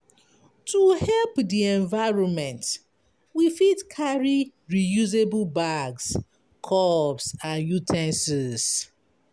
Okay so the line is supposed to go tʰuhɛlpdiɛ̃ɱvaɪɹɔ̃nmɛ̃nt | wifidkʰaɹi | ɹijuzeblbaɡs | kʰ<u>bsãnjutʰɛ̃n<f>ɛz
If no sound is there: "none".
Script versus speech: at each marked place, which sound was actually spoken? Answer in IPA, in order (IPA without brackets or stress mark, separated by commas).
ɔ, s